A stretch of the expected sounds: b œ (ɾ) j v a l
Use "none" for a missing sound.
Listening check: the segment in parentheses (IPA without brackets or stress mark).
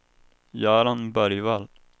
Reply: ɾ